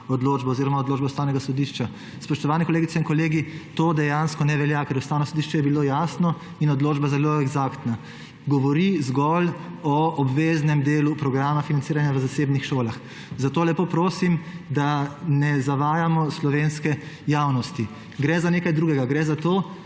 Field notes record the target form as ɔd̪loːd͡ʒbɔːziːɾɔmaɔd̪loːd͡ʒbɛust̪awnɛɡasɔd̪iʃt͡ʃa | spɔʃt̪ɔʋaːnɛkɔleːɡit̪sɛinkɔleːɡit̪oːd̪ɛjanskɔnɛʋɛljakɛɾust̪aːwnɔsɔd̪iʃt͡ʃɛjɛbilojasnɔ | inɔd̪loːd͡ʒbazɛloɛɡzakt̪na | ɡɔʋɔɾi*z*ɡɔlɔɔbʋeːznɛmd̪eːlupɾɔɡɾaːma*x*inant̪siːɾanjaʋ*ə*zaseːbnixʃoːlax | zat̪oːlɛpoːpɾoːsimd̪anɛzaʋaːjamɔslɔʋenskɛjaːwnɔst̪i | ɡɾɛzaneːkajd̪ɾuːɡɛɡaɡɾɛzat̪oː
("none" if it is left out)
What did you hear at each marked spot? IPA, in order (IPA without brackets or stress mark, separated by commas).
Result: z, f, ə